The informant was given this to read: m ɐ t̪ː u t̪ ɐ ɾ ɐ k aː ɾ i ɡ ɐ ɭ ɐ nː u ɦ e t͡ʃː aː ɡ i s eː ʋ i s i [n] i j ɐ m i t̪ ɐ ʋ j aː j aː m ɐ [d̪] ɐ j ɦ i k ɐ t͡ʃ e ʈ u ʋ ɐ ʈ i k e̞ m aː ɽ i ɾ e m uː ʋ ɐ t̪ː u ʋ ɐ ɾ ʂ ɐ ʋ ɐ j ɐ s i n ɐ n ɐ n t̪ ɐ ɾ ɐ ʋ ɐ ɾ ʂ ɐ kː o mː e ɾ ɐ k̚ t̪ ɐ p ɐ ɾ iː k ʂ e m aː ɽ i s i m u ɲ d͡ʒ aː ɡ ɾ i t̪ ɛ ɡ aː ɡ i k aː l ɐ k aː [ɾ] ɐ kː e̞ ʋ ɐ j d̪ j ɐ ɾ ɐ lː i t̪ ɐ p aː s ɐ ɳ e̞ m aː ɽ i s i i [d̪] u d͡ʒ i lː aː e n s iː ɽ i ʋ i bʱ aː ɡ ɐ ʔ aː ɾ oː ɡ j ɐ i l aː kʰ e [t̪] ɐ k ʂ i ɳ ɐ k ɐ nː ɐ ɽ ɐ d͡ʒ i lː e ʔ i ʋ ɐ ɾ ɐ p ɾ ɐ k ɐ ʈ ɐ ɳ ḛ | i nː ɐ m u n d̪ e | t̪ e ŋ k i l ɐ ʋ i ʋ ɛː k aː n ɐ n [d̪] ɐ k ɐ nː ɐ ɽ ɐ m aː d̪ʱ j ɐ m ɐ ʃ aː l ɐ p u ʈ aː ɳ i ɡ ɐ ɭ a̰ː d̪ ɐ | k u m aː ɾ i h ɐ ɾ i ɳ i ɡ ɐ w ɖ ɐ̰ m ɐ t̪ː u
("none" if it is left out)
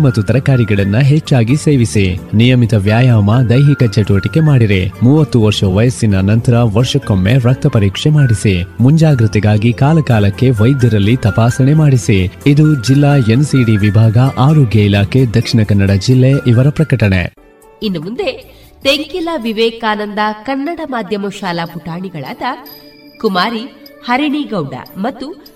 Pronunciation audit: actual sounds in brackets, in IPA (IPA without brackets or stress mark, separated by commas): n, d̪, l, d̪, d̪, d̪